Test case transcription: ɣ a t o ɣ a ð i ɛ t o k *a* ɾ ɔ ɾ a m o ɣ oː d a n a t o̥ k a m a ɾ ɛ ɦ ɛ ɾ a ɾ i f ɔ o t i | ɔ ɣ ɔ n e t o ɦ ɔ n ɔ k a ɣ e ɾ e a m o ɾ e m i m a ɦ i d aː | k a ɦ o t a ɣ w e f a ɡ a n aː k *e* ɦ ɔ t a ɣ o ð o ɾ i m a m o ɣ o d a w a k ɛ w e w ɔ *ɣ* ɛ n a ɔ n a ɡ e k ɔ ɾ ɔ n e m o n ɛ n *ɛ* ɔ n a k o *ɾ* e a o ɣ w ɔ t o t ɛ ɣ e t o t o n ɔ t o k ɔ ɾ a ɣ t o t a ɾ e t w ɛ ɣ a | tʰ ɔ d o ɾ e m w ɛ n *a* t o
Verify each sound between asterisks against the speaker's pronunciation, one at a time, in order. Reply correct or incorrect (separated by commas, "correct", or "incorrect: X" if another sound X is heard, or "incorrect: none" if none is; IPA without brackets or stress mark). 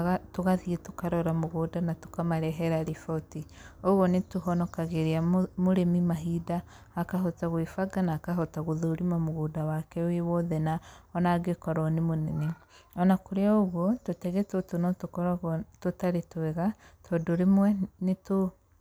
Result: correct, incorrect: a, incorrect: ð, incorrect: e, correct, incorrect: e